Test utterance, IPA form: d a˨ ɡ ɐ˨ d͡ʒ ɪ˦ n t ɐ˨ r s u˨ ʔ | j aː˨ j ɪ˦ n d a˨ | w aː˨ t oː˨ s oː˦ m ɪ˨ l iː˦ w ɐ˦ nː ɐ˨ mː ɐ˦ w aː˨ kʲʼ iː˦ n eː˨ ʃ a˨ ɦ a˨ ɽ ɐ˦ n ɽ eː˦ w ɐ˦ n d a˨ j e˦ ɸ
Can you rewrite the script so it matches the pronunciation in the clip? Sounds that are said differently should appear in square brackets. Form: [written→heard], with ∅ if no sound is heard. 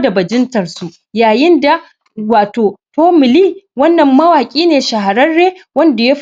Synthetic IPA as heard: d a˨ [ɡ→b] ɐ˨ d͡ʒ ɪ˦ n t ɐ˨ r s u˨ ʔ | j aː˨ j ɪ˦ n d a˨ | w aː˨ t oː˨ [s→t] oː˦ m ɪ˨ l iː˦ w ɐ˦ nː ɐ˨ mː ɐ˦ w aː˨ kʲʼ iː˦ n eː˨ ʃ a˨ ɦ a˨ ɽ ɐ˦ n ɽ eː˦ w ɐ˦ n d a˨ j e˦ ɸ